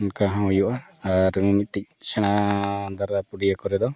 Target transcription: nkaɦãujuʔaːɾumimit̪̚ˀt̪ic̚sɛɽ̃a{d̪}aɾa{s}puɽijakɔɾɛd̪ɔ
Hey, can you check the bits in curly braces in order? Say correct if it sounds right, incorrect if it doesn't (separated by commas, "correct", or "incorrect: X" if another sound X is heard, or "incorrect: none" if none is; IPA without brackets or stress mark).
correct, incorrect: none